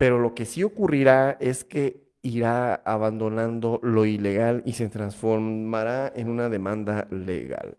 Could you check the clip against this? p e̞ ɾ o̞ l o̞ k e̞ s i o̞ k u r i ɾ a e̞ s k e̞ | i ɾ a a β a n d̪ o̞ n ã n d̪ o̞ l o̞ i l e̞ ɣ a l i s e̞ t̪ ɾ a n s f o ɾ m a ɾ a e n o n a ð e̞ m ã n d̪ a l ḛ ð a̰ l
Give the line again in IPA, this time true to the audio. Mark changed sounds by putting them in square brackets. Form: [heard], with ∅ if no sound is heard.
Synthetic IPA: p e̞ ɾ o̞ l o̞ k e̞ s i o̞ k u r i ɾ a e̞ s k e̞ | i ɾ a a β a n d̪ o̞ n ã n d̪ o̞ l o̞ i l e̞ ɣ a l i s e̞ t̪ ɾ a n s f o ɾ m a ɾ a e n [u] n a ð e̞ m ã n d̪ a l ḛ [ɣ] a̰ l